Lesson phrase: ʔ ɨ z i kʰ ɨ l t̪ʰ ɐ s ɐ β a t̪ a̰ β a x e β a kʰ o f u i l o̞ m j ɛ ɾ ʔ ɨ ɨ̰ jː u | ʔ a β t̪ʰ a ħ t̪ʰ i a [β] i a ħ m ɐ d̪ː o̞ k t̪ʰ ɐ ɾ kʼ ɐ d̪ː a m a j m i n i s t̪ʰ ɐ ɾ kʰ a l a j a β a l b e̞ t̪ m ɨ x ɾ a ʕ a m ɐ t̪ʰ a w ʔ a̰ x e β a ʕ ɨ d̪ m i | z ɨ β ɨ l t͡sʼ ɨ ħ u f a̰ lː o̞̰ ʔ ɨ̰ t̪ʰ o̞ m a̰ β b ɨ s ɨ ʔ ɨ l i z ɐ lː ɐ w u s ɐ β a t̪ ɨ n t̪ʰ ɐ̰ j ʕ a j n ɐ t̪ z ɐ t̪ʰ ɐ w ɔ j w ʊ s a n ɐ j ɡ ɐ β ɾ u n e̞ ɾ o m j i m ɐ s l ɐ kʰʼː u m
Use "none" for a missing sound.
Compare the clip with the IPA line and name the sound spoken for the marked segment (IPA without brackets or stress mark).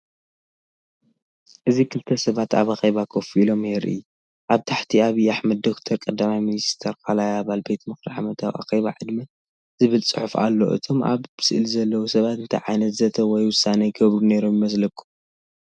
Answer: β